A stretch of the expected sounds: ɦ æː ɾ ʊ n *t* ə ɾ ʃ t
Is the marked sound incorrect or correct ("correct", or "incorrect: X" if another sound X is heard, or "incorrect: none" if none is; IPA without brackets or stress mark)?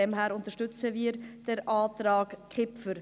correct